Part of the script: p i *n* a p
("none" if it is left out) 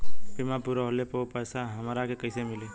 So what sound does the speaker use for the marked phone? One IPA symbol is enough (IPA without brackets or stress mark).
m